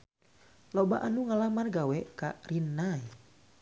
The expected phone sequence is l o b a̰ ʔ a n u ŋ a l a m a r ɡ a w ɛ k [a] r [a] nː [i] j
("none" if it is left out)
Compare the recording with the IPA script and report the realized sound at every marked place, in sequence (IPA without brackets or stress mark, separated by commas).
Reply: a, i, a